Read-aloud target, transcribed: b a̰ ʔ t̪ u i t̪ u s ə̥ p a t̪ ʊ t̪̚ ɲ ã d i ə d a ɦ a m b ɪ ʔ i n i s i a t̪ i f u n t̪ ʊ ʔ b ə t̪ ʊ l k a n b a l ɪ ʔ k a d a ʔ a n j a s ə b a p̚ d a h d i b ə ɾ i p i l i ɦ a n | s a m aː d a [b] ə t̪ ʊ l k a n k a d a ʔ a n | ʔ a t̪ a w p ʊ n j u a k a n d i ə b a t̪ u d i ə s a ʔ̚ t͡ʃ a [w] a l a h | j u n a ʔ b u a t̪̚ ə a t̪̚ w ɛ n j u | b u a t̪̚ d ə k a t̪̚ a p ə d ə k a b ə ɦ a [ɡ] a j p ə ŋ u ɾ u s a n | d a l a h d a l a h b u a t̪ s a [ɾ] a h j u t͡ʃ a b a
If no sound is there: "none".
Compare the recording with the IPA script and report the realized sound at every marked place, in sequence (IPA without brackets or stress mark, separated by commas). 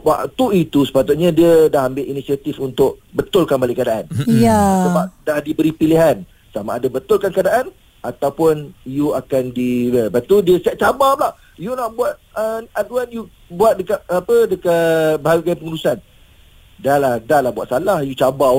b, b, ɡ, l